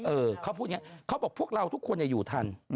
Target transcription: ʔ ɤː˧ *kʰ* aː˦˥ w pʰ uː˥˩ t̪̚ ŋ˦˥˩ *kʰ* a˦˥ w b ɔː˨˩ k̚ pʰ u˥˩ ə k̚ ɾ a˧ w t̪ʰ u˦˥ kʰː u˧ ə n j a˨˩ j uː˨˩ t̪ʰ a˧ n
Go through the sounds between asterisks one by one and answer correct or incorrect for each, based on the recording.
correct, correct

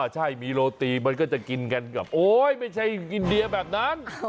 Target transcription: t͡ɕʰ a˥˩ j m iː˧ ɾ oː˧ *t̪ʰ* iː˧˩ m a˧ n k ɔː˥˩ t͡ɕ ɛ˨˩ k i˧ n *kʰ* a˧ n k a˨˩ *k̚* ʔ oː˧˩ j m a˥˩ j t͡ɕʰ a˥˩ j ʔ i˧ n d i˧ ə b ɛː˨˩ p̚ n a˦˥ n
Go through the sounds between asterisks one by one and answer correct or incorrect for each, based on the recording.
incorrect: t̪, incorrect: k, incorrect: p̚

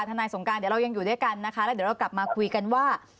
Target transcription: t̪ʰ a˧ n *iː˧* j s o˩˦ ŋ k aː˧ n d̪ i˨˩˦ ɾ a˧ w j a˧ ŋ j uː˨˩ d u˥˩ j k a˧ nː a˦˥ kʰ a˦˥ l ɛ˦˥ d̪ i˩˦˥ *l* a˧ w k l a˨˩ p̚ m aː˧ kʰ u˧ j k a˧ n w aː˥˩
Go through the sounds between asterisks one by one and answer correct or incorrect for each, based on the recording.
incorrect: aː˧, incorrect: ɾ

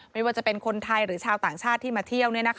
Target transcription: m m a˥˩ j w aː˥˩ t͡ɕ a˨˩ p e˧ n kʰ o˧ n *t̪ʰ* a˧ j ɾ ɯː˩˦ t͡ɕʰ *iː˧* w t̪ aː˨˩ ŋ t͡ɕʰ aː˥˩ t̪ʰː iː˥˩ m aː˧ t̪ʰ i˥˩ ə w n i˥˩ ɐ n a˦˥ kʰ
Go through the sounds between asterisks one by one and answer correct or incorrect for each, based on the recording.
correct, incorrect: aː˧

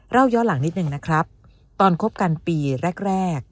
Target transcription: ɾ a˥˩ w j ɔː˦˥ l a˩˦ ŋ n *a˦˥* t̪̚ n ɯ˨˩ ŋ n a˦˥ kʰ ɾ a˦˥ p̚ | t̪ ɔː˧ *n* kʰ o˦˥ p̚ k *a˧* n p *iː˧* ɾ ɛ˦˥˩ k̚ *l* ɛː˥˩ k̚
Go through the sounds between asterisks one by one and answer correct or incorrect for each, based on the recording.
incorrect: i˦˥, correct, correct, correct, incorrect: ɾ

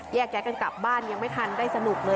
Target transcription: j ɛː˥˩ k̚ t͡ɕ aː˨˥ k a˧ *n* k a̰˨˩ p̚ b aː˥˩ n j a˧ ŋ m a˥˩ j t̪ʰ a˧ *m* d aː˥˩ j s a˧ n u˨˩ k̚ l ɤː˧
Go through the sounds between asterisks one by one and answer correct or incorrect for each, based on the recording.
correct, incorrect: n

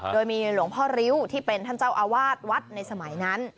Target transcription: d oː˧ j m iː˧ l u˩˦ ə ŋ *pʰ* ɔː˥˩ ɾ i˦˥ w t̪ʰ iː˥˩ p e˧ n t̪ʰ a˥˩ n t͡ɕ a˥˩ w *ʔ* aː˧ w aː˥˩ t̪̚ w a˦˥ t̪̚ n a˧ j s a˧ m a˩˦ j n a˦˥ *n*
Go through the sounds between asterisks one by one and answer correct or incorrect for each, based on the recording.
correct, correct, correct

